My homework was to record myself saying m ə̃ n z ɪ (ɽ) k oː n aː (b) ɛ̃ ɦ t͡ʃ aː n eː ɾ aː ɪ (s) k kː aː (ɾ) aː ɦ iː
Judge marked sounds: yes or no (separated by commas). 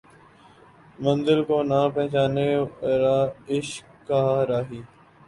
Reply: no, no, no, yes